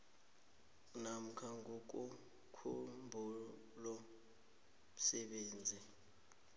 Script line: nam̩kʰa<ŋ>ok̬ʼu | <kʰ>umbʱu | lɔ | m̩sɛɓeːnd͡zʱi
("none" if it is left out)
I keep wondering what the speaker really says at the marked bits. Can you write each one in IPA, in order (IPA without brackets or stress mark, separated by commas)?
ŋ, kʰ